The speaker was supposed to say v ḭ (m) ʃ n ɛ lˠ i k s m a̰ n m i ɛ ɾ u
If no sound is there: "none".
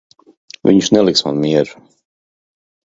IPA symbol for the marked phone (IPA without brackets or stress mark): ɲ